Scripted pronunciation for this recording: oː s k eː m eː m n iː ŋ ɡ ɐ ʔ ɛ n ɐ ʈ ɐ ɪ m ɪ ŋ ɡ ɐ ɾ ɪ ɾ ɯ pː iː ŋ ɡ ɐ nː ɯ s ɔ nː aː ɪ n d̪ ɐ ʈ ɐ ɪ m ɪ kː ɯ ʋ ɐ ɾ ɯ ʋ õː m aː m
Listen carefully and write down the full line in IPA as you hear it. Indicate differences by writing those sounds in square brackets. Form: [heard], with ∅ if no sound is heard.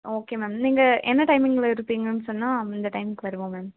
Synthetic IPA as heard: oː [∅] k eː m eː m n iː ŋ ɡ ɐ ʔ ɛ [nː] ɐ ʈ ɐ ɪ m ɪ ŋ ɡ ɐ [ɭ] ɪ ɾ ɯ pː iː ŋ ɡ ɐ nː ɯ s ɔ nː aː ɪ n d̪ ɐ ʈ ɐ ɪ m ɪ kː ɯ ʋ ɐ ɾ ɯ ʋ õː m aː m